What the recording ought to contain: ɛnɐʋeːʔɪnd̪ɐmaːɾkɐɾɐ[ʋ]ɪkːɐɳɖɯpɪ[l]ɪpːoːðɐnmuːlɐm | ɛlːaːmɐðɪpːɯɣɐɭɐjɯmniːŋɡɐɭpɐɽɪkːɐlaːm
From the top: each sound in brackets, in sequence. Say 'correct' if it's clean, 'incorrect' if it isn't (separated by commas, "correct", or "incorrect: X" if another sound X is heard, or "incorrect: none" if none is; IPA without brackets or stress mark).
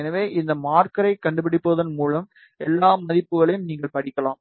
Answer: incorrect: none, incorrect: ɽ